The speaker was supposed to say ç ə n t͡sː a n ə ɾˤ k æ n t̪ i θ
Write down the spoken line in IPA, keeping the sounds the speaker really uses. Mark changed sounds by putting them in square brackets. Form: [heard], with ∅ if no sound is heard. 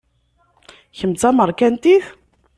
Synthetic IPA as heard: ç ə [m] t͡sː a [m] ə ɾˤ k æ n t̪ i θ